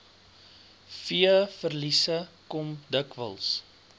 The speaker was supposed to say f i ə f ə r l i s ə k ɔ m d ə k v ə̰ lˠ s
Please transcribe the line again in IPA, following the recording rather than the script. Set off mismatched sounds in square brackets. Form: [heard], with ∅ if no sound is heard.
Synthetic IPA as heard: f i ə f ə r l i s ə k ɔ m d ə k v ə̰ lˠ s